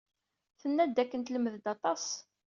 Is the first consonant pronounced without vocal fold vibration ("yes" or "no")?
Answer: yes